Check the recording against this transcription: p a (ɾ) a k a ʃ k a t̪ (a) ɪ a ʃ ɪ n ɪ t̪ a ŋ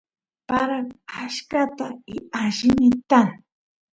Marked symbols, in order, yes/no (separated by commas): yes, yes